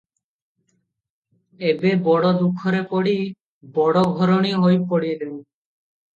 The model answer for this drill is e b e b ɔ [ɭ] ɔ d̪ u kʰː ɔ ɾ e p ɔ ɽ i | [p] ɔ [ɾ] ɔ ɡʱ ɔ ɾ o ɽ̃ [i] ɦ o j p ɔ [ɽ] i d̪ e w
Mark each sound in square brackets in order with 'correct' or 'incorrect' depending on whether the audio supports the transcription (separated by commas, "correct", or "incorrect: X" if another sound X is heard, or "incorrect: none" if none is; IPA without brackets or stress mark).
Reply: incorrect: ɽ, incorrect: b, incorrect: ɽ, correct, correct